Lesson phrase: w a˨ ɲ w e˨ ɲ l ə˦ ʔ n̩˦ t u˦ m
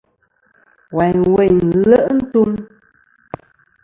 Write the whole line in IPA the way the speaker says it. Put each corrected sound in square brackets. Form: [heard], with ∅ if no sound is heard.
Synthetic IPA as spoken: w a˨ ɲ w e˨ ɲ l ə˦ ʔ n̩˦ t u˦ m